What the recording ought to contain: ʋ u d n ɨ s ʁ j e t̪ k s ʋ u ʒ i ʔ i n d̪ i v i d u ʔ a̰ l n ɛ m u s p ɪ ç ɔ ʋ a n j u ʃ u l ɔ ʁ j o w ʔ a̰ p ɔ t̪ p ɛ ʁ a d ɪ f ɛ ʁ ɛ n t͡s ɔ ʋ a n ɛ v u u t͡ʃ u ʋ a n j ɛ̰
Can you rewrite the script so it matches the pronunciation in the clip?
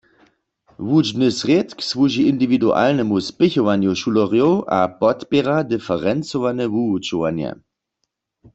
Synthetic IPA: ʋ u d͡ʒ n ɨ s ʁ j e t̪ k s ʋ u ʒ i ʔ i n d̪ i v i d u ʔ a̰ l n ɛ m u s p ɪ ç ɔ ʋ a n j u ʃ u l ɔ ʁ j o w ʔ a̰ p ɔ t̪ p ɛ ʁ a d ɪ f ɛ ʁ ɛ n t͡s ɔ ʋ a n ɛ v u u t͡ʃ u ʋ a n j ɛ̰